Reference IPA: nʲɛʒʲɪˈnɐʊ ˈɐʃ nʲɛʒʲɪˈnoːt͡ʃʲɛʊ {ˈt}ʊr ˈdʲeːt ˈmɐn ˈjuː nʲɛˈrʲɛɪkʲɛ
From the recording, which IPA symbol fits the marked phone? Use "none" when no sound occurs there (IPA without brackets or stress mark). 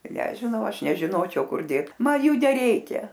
k